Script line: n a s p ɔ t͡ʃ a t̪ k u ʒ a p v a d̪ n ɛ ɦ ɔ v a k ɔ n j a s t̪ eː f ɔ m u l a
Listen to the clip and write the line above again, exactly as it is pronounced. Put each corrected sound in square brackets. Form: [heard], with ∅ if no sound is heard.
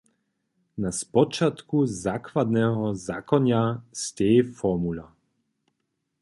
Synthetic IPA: n a s p ɔ t͡ʃ a t̪ k u [z] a [k] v a d̪ n ɛ ɦ ɔ [z] a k ɔ n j a s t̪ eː f ɔ m u l a